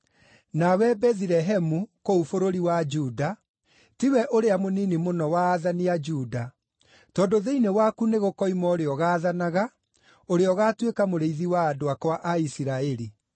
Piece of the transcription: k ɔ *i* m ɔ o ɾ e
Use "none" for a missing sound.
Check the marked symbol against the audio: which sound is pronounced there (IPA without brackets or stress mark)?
i